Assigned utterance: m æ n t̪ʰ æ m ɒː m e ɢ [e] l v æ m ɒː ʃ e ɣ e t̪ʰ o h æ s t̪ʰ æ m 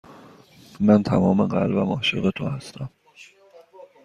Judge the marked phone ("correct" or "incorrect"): incorrect